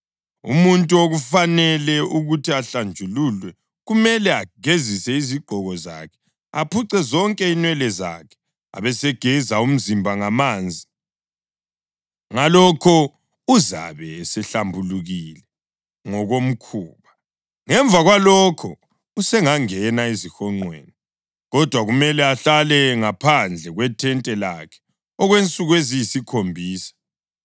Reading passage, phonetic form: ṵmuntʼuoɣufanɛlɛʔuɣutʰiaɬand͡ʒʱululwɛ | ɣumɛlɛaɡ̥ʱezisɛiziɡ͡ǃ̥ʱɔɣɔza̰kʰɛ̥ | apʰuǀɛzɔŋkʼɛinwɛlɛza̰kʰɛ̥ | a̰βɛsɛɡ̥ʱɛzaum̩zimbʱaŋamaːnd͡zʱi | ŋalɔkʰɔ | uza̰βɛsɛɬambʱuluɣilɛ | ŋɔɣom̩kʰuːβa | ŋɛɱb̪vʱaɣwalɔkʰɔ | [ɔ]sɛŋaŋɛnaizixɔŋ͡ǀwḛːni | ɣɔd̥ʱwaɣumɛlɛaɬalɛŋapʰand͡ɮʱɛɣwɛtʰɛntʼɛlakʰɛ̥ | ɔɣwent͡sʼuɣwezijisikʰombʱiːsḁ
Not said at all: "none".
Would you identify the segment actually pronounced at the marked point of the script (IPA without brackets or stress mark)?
u